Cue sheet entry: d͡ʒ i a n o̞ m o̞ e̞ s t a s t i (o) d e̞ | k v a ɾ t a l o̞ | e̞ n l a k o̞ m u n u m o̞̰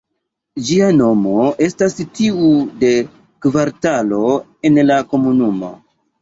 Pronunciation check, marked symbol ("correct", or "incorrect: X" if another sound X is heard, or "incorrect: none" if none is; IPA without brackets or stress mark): incorrect: u